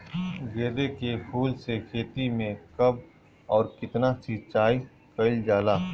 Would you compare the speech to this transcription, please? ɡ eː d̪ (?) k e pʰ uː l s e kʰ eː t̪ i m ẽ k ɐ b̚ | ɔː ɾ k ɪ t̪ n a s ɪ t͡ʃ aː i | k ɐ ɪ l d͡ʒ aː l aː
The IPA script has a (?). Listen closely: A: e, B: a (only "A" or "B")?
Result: A